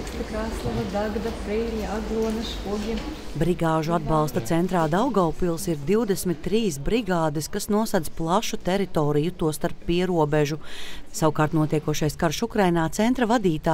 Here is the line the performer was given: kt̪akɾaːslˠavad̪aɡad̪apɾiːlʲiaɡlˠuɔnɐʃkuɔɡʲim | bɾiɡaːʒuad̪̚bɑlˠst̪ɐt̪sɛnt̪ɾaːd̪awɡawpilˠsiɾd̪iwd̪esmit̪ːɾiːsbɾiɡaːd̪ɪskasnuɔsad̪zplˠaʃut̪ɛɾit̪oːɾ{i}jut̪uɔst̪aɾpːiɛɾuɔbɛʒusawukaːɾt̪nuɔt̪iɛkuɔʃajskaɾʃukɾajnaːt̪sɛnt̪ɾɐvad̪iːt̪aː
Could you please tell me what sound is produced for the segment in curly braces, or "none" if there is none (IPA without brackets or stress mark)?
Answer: i